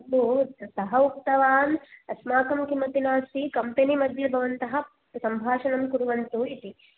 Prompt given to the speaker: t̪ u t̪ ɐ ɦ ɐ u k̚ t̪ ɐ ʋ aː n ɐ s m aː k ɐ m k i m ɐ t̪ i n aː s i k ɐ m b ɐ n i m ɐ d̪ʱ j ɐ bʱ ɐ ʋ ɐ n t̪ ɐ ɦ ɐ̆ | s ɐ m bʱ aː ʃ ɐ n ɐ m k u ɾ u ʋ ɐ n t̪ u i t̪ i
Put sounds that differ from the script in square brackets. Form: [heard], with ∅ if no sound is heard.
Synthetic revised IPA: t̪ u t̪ ɐ ɦ ɐ u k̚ t̪ ɐ ʋ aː n ɐ s m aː k ɐ m k i m ɐ t̪ i n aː s i k ɐ m [p] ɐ n i m ɐ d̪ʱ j ɐ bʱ ɐ ʋ ɐ n t̪ ɐ ɦ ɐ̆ | s ɐ m bʱ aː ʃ ɐ n ɐ m k u ɾ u ʋ ɐ n t̪ u i t̪ i